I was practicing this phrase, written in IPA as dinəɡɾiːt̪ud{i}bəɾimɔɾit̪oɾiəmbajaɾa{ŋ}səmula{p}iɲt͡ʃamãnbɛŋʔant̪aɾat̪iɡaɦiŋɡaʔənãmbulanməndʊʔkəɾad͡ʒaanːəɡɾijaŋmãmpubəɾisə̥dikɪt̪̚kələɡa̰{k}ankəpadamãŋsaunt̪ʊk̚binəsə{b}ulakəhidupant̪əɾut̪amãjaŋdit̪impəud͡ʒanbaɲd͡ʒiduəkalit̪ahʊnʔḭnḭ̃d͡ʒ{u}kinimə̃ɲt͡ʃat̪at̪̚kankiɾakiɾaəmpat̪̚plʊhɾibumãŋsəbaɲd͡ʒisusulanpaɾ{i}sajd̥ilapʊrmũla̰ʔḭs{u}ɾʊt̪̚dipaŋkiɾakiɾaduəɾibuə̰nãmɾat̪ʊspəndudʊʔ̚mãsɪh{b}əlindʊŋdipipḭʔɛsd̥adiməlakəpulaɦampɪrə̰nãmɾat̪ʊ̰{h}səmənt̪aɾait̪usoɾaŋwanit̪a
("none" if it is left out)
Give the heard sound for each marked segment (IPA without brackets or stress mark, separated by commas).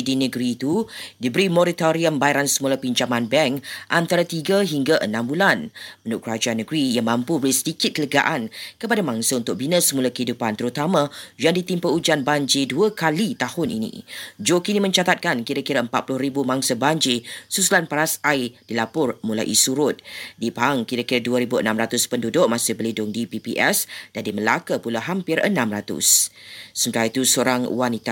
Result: i, n, p, ʔ, m, o, a, u, b, s